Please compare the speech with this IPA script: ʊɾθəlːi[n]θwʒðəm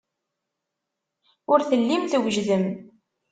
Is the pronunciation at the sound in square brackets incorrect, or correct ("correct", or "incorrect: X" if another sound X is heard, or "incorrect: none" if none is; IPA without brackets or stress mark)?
incorrect: m